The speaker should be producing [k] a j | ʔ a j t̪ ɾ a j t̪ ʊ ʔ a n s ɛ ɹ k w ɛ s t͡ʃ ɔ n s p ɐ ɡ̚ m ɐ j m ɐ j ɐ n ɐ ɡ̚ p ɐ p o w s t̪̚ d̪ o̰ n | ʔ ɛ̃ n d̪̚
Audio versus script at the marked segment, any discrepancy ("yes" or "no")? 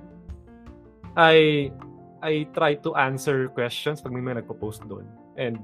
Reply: yes